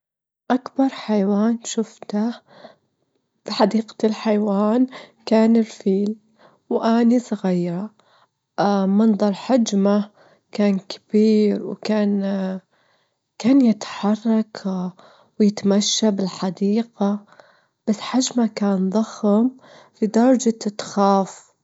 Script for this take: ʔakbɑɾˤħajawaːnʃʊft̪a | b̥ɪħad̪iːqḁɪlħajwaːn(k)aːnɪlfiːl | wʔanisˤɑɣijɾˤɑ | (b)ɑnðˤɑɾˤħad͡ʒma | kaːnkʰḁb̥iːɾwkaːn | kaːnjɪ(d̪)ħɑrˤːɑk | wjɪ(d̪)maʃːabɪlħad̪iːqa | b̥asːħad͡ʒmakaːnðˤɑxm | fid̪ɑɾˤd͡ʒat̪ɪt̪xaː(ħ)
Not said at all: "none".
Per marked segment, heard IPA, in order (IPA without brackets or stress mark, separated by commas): k, m, t̪, t̪, f